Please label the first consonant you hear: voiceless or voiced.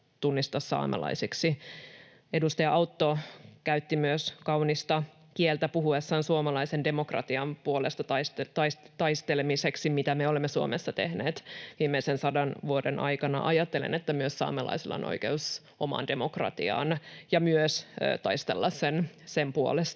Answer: voiceless